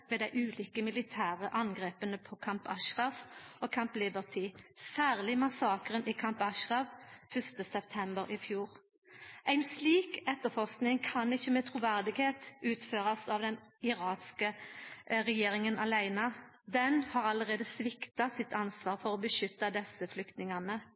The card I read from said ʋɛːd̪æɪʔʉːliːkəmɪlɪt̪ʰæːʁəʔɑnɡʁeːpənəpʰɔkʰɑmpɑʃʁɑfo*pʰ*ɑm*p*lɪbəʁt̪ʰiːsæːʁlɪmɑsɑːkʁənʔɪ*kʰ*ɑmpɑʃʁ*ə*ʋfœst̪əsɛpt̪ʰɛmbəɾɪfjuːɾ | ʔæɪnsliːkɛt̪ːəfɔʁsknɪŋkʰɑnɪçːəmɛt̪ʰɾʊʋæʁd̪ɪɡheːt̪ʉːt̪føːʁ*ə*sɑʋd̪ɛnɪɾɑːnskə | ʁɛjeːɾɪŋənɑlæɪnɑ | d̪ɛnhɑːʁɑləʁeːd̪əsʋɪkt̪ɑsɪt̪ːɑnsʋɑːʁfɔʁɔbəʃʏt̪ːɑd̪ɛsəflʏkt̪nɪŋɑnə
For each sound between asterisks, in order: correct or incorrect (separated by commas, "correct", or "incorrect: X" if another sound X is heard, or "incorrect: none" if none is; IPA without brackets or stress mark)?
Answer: incorrect: kʰ, correct, correct, incorrect: ɑ, incorrect: ɑ